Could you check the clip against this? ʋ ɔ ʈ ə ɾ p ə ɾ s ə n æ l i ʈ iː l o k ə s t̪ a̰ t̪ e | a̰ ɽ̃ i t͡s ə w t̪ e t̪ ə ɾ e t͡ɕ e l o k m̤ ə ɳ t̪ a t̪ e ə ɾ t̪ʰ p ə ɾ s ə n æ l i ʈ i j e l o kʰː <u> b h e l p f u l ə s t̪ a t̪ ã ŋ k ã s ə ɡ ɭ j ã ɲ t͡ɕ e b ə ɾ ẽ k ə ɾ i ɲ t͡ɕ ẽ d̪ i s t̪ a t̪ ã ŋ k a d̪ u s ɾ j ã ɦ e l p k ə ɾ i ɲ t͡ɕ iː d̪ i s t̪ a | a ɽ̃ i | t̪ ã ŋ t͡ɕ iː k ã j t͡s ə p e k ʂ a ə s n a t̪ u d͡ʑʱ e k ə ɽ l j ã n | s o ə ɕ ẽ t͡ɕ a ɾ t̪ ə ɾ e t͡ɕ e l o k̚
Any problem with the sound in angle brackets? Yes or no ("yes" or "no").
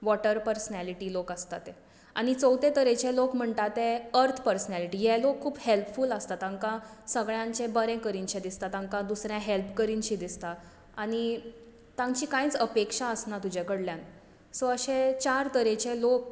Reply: yes